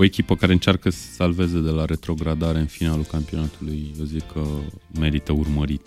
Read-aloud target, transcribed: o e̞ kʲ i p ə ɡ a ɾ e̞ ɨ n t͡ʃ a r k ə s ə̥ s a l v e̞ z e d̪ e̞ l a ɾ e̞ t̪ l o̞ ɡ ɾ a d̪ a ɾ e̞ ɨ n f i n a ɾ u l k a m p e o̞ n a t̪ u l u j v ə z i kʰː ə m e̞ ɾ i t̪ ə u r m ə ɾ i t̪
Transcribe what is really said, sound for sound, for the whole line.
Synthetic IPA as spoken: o e̞ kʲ i p ə k a ɾ e̞ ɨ n t͡ʃ a r k ə s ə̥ s a l v e̞ z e d̪ e̞ l a ɾ e̞ t̪ ɾ o̞ ɡ ɾ a d̪ a ɾ e̞ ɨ n f i n a l u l k a m p i o̞ n a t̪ u l u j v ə z i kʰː ə m e̞ ɾ i t̪ ə u r m ə ɾ i t̪